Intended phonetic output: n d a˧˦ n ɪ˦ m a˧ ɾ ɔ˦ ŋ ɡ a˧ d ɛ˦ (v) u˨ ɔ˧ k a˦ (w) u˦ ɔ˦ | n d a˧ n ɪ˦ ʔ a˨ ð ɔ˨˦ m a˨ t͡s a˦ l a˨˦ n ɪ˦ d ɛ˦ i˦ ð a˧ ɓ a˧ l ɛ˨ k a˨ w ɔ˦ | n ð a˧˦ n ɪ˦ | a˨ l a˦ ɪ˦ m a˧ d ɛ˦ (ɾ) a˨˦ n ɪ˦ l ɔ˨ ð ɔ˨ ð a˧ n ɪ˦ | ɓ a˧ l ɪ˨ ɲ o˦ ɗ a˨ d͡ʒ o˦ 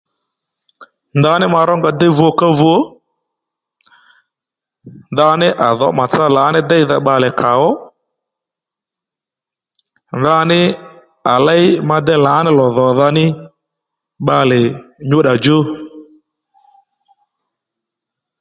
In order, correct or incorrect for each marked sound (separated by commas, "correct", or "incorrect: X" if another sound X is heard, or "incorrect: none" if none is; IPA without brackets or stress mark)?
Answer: correct, incorrect: v, incorrect: l